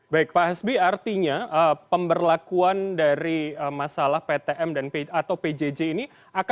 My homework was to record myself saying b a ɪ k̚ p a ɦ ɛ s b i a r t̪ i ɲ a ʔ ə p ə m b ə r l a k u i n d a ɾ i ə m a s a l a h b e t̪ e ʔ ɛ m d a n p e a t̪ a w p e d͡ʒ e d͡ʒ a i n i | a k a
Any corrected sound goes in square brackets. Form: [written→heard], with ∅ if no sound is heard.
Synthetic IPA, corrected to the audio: b a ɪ k̚ p a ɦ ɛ s b i a r t̪ i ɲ a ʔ ə p ə m b ə r l a k u [i→a] n d a ɾ i ə m a s a l a h [b→p] e t̪ e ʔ ɛ m d a n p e a t̪ a w p e d͡ʒ e d͡ʒ [a→e] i n i | a k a